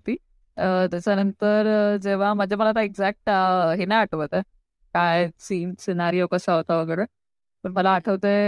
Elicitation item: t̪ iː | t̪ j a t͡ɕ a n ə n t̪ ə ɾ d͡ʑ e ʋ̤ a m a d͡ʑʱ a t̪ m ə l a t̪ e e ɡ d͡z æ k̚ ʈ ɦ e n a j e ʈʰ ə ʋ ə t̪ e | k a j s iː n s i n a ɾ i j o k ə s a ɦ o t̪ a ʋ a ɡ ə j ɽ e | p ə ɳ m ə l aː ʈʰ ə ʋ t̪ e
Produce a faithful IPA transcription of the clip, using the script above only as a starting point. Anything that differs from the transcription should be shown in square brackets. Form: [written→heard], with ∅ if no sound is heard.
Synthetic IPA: t̪ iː | t̪ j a t͡ɕ a n ə n t̪ ə ɾ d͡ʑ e ʋ̤ a m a d͡ʑʱ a [t̪→∅] m ə l a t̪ [e→a] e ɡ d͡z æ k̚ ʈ ɦ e n a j [e→a] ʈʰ ə ʋ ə t̪ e | k a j s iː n s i n a ɾ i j o k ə s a ɦ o t̪ a ʋ [a→ə] ɡ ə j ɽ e | p ə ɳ m ə l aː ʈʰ ə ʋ t̪ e